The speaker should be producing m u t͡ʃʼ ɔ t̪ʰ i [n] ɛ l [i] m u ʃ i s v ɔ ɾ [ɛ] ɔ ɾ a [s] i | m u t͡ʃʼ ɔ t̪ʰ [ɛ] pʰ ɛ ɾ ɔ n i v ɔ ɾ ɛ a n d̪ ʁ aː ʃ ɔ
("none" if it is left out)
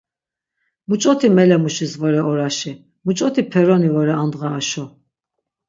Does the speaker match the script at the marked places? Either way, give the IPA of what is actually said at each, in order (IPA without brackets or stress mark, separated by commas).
m, ɛ, ɛ, ʃ, i